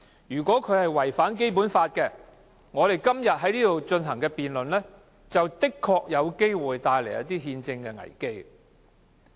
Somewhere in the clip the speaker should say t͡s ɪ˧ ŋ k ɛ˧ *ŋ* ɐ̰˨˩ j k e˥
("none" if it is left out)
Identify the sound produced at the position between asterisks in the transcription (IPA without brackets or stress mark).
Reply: ŋ